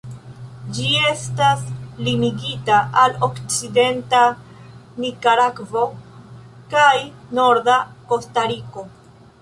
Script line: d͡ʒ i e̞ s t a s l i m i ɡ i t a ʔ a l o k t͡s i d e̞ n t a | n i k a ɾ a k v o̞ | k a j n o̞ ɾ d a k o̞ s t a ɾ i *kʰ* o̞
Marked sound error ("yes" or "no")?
yes